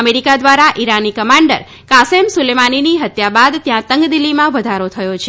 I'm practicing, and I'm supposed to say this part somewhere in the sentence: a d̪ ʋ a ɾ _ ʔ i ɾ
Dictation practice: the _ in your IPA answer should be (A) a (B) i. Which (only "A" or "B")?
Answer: A